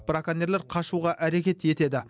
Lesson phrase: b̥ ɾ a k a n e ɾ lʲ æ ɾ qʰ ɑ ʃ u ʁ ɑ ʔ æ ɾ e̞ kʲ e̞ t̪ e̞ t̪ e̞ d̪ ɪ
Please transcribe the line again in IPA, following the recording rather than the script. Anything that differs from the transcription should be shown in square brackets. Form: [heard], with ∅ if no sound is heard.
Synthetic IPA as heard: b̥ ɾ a k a n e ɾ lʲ [e] ɾ qʰ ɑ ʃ u ʁ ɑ ʔ æ ɾ e̞ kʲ e̞ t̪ e̞ t̪ e̞ d̪ ɪ